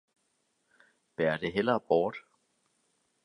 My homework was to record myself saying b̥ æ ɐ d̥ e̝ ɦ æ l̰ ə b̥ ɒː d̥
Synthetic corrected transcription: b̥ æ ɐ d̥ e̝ ɦ e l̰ ɐ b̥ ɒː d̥